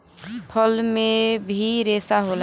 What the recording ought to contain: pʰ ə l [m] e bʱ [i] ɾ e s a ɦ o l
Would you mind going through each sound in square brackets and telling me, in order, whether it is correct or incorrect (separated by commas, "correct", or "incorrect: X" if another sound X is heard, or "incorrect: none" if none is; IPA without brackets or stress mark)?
correct, correct